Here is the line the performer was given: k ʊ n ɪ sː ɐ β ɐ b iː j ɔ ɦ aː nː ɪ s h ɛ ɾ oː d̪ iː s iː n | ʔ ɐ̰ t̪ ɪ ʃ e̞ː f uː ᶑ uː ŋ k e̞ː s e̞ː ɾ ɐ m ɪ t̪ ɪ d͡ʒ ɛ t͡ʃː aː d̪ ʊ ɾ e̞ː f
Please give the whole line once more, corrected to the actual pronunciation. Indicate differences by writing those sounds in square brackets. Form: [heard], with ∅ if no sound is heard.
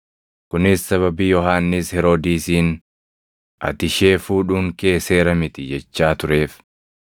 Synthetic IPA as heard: k ʊ n ɪ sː ɐ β ɐ b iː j ɔ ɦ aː nː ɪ s h ɛ ɾ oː d̪ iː s iː n | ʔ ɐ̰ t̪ ɪ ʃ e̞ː f uː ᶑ uː ŋ k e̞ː s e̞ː ɾ ɐ m ɪ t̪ ɪ d͡ʒ ɛ t͡ʃː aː [t̪] ʊ ɾ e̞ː f